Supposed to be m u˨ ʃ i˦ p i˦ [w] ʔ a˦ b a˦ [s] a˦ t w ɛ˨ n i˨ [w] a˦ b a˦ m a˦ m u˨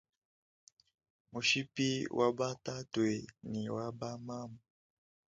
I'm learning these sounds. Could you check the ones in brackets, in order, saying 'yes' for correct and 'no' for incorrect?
yes, no, yes

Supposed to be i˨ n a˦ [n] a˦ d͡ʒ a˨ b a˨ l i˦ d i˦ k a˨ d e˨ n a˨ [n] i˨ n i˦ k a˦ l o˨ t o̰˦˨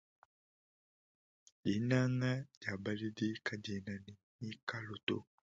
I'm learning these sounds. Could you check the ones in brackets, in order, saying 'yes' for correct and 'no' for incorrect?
no, yes

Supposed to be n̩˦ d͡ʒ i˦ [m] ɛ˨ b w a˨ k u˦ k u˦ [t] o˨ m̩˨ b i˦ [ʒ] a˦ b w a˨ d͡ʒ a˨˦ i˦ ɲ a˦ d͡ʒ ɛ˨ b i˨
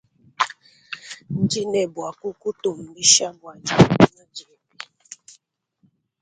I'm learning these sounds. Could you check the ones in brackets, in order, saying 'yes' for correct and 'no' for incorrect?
no, yes, no

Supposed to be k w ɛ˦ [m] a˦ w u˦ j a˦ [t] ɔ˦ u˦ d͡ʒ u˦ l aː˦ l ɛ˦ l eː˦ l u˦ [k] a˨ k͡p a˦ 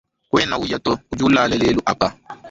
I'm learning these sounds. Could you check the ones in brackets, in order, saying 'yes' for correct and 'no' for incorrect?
no, yes, no

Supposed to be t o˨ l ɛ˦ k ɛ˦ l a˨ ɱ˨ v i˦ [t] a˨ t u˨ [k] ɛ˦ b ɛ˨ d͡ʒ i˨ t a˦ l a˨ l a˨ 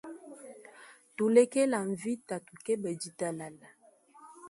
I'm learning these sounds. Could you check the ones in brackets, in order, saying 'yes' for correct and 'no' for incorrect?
yes, yes

